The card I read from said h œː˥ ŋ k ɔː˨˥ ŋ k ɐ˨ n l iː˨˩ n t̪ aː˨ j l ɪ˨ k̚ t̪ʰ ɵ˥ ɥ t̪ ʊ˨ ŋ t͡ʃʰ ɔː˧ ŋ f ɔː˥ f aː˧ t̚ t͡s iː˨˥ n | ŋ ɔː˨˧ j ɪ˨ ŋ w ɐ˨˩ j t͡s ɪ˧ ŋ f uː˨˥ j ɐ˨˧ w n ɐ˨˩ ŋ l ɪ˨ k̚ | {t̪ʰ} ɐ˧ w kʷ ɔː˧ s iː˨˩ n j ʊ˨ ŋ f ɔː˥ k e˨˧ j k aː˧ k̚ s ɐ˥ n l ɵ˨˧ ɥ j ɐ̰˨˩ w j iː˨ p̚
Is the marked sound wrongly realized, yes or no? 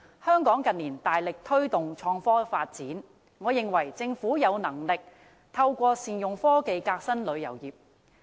no